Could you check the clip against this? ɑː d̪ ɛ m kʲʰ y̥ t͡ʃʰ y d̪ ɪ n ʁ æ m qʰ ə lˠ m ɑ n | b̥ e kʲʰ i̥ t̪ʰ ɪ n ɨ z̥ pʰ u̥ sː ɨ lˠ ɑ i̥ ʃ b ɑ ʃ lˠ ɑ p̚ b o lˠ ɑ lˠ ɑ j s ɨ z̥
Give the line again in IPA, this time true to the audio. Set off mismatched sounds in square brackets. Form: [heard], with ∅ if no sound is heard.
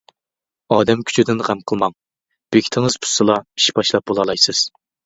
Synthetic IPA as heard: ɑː d̪ ɛ m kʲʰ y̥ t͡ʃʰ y d̪ ɪ n ʁ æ m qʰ ə lˠ m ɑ [ŋ] | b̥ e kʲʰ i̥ t̪ʰ ɪ [ŋ] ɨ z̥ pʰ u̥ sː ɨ lˠ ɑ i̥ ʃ b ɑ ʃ lˠ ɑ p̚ b o lˠ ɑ lˠ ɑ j s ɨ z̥